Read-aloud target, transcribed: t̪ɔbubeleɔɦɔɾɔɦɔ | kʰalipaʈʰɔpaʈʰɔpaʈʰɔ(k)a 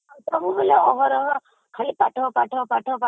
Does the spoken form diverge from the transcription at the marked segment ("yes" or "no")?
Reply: yes